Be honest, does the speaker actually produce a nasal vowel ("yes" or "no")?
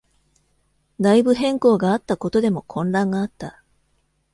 yes